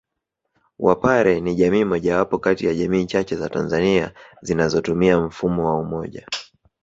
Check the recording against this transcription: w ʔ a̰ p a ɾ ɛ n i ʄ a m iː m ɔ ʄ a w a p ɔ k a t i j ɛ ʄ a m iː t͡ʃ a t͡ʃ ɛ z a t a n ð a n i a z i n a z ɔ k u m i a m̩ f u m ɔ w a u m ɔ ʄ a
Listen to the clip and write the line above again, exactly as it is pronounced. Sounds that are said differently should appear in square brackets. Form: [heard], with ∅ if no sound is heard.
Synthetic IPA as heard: w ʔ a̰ p a ɾ ɛ n i ʄ a m iː m ɔ ʄ a w a p ɔ k a t i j [a] ʄ a m iː t͡ʃ a t͡ʃ ɛ z a t a n [z] a n i a z i n a z ɔ [t] u m i a m̩ f u m ɔ w a u m ɔ ʄ a